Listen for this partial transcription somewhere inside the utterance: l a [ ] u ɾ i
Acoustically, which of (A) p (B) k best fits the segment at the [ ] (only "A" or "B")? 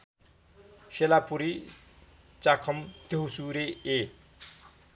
A